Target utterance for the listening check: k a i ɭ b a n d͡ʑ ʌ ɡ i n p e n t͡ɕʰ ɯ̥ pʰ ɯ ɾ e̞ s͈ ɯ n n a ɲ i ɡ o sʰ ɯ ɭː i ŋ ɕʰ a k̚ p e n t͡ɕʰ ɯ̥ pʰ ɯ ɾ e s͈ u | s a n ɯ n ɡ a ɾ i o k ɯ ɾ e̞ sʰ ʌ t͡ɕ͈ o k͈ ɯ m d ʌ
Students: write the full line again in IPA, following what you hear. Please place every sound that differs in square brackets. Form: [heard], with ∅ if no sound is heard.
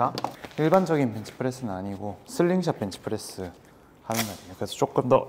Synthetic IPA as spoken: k a i ɭ b a n d͡ʑ ʌ ɡ i n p e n t͡ɕʰ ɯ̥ pʰ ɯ ɾ e̞ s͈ ɯ n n a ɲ i ɡ o sʰ ɯ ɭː i ŋ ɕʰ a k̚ p e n t͡ɕʰ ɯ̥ pʰ ɯ ɾ e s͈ [ɯ] | [h] a n ɯ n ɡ a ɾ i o k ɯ ɾ e̞ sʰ ʌ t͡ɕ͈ o k͈ ɯ m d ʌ